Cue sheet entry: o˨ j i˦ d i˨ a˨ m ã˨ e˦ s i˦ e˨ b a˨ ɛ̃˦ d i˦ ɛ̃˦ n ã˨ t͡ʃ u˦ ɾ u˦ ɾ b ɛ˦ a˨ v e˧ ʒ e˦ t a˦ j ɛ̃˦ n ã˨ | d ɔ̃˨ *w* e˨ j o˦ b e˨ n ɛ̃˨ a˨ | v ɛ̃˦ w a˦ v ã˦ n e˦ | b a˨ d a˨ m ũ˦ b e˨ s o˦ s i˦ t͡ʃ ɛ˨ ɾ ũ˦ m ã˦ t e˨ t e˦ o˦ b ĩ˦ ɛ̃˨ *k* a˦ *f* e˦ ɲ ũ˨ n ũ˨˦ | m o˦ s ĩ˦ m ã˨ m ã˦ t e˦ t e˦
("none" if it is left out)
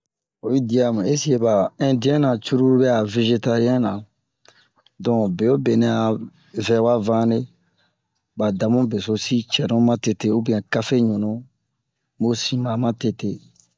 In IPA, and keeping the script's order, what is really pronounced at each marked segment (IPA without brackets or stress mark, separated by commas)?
b, k, f